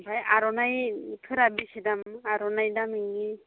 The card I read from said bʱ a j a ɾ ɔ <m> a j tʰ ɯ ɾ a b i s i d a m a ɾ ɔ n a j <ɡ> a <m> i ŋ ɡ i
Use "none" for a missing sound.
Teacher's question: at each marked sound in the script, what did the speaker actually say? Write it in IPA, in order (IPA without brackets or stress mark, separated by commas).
n, d, m